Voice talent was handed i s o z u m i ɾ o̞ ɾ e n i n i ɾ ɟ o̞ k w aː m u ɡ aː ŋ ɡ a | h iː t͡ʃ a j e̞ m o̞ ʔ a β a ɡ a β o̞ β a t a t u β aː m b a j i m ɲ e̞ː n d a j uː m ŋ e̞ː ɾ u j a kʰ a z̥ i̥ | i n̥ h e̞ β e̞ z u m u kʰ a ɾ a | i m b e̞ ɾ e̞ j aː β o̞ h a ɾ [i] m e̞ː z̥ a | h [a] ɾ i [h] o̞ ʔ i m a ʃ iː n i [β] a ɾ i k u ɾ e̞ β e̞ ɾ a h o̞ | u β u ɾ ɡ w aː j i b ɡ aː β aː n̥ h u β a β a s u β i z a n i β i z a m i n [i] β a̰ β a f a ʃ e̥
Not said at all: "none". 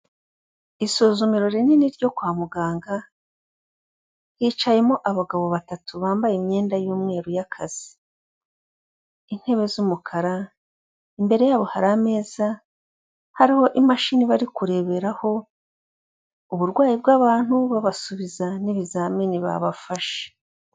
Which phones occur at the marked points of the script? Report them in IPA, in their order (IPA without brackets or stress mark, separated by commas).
a, a, h, β, i